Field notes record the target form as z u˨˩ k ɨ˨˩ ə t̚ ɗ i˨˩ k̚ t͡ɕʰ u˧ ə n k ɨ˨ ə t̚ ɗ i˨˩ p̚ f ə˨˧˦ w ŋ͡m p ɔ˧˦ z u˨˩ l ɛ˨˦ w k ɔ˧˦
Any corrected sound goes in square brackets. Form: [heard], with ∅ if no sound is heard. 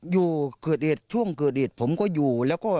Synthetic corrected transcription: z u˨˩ k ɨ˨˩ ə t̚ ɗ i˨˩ [t̚] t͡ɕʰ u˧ ə [ŋ] k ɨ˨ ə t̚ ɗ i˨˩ [t̚] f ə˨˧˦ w ŋ͡m [k] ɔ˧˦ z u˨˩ l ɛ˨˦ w k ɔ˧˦